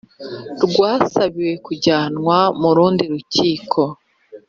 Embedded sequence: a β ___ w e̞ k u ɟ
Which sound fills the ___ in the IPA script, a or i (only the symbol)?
i